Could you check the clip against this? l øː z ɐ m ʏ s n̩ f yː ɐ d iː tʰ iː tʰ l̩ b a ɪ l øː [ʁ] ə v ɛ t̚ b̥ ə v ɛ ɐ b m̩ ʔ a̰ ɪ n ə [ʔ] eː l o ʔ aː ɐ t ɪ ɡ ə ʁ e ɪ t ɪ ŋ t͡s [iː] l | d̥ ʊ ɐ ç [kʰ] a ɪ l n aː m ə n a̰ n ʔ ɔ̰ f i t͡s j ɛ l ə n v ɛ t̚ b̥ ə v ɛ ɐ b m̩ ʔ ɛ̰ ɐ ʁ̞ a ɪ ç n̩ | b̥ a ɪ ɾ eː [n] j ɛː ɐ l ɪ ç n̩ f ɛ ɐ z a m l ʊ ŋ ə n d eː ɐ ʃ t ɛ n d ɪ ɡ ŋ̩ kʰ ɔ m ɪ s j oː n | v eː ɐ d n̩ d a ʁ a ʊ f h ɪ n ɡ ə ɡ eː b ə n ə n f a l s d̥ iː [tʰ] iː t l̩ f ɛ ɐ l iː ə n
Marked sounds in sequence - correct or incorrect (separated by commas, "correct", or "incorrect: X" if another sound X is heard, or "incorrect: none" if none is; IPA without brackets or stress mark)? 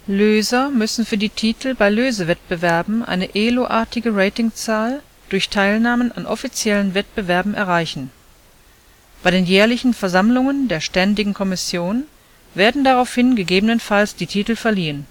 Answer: incorrect: z, correct, incorrect: aː, incorrect: tʰ, correct, correct